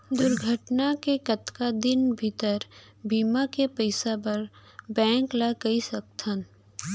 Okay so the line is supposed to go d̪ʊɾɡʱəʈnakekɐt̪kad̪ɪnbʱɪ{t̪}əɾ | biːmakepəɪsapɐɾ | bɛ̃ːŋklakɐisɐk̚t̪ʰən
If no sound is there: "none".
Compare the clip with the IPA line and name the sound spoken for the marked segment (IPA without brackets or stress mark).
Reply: t̪